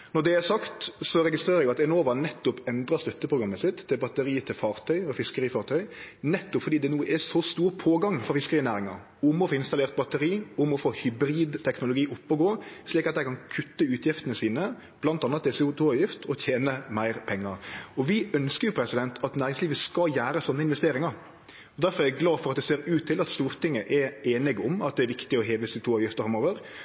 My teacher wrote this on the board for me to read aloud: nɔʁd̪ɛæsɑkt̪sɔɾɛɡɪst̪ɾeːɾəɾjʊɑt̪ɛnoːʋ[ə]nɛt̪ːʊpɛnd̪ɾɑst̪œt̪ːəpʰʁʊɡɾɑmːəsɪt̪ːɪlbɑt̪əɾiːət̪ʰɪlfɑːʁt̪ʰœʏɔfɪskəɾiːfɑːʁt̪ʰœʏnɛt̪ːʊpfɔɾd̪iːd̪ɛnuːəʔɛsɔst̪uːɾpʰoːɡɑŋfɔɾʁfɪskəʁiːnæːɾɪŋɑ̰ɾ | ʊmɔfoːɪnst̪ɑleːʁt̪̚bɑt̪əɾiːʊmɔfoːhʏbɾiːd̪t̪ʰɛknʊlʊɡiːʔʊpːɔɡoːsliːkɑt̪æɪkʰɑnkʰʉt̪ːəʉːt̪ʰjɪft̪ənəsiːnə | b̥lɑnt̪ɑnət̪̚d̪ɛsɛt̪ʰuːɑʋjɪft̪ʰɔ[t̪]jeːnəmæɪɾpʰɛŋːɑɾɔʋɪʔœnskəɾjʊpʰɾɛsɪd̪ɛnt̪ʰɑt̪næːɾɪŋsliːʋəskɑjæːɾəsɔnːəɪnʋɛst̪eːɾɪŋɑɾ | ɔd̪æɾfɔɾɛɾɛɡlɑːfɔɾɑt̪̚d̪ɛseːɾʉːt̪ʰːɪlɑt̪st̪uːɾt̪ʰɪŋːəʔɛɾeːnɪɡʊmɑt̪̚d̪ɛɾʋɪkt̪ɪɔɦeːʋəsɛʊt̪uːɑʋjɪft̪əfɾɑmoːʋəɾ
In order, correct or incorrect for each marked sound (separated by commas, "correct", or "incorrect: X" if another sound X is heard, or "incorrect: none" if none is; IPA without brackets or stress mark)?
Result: incorrect: ɑ, incorrect: t̪ʰ